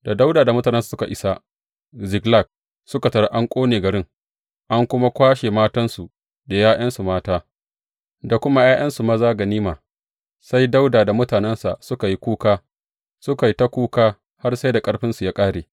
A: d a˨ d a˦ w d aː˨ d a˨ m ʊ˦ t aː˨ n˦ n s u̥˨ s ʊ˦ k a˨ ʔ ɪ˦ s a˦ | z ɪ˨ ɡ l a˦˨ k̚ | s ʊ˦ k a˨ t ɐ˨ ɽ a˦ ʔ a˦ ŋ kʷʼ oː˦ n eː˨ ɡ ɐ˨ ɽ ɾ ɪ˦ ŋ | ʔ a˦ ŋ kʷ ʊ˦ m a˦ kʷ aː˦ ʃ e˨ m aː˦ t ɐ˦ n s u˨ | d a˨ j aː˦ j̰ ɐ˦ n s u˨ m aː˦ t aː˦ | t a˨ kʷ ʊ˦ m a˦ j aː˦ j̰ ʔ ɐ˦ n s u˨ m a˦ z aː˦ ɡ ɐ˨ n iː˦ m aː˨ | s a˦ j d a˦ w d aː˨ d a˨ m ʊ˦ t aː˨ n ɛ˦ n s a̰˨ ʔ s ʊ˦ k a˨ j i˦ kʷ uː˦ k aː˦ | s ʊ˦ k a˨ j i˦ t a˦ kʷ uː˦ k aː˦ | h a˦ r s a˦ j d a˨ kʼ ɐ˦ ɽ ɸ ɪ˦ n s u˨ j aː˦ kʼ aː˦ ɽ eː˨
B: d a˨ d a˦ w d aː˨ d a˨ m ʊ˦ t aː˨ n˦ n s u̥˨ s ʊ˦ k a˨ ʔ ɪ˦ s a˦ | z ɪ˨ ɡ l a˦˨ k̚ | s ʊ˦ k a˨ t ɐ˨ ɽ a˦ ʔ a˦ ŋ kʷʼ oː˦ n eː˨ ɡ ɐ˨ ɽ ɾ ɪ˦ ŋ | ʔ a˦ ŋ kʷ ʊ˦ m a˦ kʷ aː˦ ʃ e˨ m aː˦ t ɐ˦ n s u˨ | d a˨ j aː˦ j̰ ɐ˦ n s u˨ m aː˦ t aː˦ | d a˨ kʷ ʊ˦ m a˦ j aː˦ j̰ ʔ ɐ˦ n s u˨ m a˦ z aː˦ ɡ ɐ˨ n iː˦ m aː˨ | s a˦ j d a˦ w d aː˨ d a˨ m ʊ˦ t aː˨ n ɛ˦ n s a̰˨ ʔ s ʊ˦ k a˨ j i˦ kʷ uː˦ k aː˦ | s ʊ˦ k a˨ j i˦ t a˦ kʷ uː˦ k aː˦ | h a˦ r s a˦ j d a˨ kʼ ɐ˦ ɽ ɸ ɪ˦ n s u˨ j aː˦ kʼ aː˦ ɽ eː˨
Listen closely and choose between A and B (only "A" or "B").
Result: B